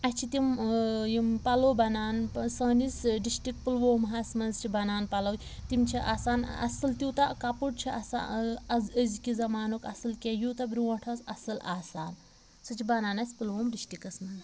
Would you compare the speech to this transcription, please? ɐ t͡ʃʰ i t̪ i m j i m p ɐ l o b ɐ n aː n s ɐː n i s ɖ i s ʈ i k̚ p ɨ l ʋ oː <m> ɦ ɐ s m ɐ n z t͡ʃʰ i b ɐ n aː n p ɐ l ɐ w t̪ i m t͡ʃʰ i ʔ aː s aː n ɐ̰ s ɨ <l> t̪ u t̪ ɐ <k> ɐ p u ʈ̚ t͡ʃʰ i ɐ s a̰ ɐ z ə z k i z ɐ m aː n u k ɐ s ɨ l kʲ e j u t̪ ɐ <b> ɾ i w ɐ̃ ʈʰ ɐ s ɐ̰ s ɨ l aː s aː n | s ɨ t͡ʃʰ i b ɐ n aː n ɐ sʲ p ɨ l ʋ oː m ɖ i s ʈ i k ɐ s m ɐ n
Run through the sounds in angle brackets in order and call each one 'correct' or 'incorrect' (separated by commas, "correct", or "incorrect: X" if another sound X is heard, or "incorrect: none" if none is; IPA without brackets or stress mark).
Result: correct, correct, correct, correct